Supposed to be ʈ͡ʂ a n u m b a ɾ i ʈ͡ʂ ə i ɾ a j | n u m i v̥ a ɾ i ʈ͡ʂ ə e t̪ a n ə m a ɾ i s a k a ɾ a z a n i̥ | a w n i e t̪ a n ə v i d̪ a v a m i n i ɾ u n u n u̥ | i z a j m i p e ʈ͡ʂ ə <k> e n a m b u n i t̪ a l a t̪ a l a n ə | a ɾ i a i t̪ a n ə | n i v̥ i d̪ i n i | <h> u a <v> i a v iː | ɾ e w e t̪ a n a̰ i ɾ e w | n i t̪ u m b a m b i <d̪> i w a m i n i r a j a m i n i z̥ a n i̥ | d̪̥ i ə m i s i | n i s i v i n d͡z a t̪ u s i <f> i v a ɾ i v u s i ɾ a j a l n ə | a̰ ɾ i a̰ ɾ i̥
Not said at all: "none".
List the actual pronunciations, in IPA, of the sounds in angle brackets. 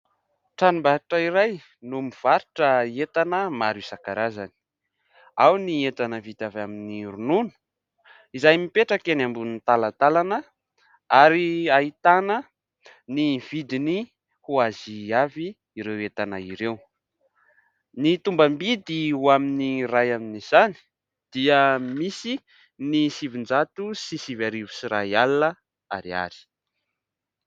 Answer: k, h, z, d̪, s

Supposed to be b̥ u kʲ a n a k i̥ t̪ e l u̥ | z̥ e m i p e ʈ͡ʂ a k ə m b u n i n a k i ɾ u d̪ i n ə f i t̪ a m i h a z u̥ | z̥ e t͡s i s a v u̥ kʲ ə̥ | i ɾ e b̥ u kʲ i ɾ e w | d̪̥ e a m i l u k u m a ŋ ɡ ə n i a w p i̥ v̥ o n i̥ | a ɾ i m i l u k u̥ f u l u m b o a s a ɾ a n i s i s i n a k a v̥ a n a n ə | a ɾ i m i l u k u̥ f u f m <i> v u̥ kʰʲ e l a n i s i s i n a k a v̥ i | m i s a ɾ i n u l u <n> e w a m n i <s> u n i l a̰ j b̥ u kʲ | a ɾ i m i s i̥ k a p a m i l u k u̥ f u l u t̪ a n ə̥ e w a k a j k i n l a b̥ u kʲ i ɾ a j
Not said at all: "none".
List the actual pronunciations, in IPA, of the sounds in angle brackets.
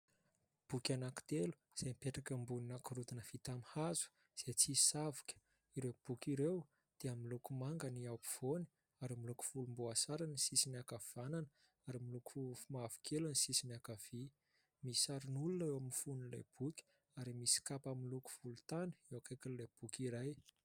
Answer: a, n, f

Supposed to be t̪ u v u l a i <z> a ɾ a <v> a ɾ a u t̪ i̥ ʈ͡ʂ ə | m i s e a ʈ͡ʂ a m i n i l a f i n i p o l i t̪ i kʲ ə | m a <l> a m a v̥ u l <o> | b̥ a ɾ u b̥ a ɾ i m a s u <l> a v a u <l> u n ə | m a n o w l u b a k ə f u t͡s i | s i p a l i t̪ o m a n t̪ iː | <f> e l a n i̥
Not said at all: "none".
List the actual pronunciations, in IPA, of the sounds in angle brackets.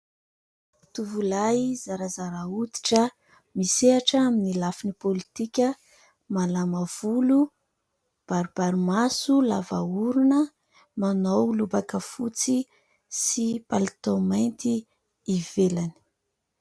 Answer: z, z, l, u, l, ɾ, v

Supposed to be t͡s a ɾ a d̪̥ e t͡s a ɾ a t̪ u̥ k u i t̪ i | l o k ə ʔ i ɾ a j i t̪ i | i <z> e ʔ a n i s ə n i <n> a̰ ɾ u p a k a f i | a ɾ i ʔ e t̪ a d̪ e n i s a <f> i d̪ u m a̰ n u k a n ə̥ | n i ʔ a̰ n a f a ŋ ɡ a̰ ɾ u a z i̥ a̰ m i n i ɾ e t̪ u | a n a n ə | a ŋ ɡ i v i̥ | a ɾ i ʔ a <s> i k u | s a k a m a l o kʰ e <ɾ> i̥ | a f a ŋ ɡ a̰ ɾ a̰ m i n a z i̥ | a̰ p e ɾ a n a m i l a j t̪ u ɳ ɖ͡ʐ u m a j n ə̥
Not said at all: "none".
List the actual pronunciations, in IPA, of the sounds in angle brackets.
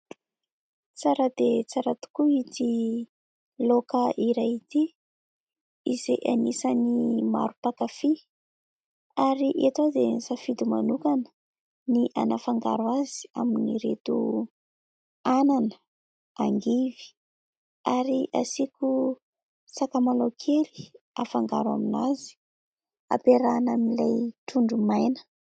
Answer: z, m, f, s, l

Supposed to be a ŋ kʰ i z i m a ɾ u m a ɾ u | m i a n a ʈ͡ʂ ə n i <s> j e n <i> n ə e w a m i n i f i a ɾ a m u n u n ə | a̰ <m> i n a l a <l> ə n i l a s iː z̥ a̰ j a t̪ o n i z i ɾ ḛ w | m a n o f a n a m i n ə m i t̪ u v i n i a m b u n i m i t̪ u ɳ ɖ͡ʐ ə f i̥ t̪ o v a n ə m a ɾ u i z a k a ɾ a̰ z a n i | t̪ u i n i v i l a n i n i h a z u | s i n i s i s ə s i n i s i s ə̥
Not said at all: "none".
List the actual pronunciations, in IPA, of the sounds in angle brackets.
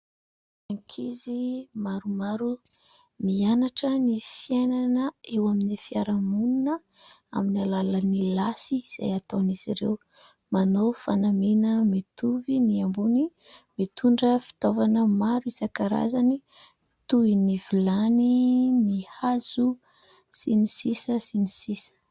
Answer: f, a, m, l

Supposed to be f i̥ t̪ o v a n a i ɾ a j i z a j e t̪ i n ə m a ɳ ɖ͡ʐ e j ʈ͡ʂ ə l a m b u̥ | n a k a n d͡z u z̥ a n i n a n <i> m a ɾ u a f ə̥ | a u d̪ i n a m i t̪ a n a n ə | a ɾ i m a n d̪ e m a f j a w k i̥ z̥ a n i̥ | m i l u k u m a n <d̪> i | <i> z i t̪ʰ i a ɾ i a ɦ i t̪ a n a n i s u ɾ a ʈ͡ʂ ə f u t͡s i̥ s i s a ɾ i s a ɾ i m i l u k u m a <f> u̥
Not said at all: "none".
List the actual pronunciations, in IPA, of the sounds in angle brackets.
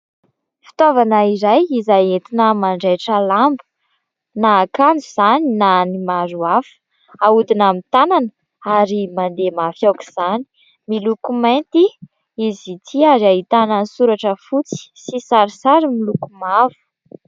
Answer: i, t̪, i, v

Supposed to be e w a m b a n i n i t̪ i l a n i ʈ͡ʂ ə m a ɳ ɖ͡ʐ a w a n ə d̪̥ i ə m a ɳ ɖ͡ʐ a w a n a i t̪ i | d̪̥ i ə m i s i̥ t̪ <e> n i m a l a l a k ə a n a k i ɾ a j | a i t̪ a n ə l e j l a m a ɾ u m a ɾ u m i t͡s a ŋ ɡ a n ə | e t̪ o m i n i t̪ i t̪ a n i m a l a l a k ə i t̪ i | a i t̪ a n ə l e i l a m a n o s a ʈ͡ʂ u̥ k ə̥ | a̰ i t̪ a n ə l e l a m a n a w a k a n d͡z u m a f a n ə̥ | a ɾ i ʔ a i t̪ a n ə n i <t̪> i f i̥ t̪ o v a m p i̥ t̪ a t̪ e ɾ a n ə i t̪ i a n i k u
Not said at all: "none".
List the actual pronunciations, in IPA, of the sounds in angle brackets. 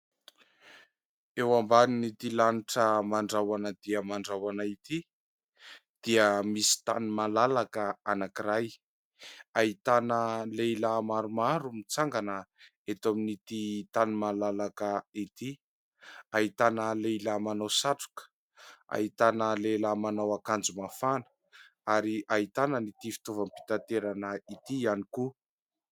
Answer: a, t̪

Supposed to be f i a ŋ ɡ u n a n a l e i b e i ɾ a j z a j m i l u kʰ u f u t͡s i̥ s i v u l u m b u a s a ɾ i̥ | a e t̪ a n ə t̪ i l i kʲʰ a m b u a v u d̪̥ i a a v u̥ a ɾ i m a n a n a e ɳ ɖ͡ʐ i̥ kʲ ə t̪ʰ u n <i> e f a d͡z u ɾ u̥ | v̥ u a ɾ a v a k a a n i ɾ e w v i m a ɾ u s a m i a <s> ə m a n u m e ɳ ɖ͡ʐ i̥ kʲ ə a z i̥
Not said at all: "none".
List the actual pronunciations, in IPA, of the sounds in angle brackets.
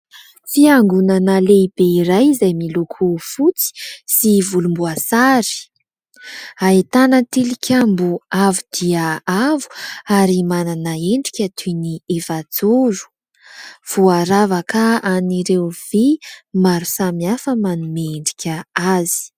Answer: i, f

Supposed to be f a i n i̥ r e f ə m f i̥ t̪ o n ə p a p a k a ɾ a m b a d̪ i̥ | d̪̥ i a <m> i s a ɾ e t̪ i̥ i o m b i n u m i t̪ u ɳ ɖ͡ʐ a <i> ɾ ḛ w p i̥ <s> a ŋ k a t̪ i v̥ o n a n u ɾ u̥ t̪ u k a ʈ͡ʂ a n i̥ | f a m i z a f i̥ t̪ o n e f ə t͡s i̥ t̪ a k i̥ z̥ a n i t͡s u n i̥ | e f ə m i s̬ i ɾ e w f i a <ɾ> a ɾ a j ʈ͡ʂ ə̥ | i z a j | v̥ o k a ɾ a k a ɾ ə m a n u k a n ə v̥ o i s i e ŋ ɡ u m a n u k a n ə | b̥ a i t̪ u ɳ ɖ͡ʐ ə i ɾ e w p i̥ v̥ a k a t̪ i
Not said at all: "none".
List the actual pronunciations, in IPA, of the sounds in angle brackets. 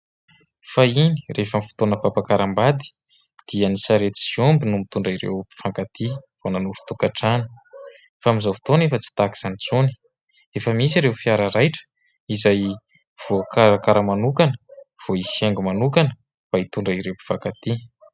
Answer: n, i, f, ɾ

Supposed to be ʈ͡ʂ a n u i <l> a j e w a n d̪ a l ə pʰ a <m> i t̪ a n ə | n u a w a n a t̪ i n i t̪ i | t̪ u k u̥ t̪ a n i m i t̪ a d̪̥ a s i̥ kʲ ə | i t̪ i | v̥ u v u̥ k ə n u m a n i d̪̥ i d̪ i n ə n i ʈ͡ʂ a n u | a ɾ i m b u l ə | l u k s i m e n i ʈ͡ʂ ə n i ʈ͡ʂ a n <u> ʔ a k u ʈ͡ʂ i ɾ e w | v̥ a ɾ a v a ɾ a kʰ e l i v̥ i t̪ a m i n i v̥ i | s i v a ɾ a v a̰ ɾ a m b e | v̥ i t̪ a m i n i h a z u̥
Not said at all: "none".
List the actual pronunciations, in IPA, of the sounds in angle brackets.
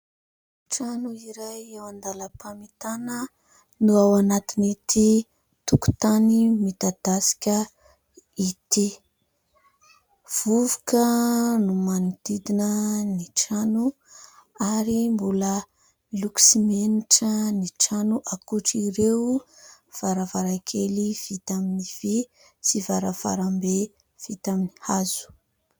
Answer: ɾ, m, u

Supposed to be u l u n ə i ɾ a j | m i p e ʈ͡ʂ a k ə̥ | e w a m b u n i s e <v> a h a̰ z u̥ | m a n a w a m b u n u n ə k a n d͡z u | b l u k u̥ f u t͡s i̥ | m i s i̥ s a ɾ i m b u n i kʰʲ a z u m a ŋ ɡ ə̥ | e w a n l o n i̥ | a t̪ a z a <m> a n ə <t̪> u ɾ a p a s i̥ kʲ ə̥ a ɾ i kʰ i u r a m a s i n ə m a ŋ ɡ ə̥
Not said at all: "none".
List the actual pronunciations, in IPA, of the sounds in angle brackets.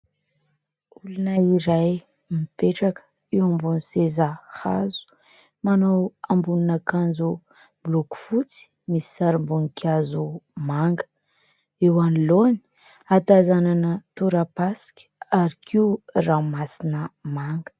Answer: z, n, t̪

